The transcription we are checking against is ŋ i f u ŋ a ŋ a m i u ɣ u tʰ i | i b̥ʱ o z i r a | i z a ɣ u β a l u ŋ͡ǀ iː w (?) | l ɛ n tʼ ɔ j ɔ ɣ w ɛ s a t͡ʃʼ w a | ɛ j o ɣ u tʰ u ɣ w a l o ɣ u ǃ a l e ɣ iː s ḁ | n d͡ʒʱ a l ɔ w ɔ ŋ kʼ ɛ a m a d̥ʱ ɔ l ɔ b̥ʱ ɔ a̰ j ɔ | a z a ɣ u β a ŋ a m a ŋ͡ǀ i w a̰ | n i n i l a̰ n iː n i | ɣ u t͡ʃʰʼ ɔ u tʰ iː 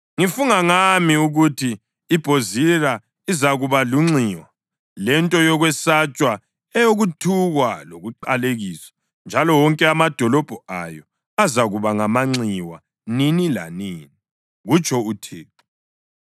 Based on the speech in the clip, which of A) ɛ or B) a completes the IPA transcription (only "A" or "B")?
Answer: B